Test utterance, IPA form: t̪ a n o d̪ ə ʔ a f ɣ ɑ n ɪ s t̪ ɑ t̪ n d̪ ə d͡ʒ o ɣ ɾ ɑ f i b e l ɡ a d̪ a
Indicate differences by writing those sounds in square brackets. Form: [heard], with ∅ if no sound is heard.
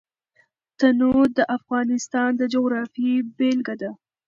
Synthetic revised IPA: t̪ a n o d̪ ə ʔ a f ɣ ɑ n ɪ s t̪ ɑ [∅] n d̪ ə d͡ʒ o ɣ ɾ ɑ f i b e l ɡ a d̪ a